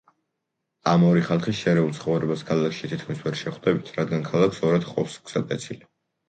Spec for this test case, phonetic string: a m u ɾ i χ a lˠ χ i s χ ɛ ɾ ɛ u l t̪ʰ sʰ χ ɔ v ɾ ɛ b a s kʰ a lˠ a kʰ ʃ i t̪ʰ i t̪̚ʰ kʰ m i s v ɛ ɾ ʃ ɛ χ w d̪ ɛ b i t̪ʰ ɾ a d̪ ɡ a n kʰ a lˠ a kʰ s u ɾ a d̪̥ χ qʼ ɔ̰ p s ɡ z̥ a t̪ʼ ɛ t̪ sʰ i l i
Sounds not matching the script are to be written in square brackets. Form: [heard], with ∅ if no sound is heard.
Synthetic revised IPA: a m [ɔ] ɾ i χ a lˠ χ i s [ʃ] ɛ ɾ ɛ u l [t̪] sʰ χ ɔ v ɾ ɛ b a s kʰ a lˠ a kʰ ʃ i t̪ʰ i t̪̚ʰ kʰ m i s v ɛ ɾ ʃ ɛ χ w d̪ ɛ b i t̪ʰ ɾ a d̪ ɡ a n kʰ a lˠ a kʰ s [ɔ] ɾ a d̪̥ χ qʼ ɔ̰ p s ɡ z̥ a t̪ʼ ɛ t̪ sʰ i l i